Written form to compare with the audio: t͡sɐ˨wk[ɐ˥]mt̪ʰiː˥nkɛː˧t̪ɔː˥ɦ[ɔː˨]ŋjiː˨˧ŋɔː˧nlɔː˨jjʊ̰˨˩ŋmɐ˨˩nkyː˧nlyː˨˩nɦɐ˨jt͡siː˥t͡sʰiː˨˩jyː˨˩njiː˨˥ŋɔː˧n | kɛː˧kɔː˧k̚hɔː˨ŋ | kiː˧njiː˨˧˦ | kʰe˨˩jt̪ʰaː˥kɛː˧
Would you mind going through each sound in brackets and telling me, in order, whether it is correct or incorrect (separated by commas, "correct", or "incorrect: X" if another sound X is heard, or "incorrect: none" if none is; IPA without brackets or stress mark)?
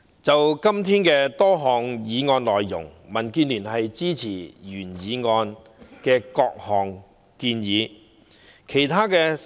correct, correct